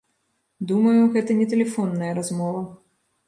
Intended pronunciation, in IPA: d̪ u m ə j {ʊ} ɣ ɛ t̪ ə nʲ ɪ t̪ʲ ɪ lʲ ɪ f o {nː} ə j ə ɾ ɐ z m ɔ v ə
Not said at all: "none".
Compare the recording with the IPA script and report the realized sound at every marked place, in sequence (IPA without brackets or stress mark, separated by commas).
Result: ʊ, nː